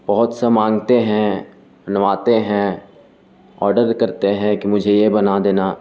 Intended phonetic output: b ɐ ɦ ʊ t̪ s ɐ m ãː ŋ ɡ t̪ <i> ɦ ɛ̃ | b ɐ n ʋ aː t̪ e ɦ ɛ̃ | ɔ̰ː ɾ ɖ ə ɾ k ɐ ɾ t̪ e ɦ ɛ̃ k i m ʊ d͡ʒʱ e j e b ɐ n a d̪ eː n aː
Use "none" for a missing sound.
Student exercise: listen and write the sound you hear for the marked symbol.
e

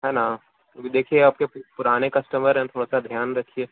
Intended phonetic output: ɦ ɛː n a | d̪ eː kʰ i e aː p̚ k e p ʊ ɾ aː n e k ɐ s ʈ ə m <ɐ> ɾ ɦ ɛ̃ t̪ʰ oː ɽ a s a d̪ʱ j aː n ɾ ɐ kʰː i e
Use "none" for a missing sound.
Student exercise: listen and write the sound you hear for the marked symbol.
ə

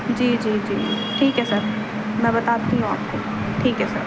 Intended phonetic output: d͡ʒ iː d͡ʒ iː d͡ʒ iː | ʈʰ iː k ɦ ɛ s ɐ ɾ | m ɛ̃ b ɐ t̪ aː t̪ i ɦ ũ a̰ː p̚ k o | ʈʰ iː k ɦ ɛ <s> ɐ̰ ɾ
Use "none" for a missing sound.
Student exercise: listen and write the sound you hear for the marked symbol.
s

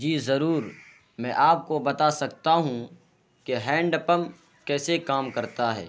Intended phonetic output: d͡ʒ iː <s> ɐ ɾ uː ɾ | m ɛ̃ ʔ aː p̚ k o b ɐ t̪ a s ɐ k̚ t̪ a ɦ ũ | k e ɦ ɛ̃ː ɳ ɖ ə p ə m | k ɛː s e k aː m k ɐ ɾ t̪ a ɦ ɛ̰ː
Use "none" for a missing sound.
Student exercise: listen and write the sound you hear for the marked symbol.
z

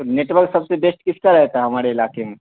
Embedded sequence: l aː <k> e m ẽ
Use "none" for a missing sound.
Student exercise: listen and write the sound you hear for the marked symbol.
k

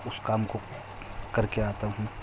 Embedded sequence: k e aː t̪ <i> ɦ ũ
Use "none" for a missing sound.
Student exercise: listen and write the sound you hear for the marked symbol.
a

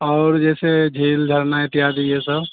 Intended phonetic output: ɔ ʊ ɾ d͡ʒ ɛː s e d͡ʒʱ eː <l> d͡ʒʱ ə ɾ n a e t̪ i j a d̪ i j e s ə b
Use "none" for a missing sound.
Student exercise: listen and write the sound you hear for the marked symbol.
l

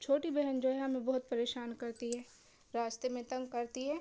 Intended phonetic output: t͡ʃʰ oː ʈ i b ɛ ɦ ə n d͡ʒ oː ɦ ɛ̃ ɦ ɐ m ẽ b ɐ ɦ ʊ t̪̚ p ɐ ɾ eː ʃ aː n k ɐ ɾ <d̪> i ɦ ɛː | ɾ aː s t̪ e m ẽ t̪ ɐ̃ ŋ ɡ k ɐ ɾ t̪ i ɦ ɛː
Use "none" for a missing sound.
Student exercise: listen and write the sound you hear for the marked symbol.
t̪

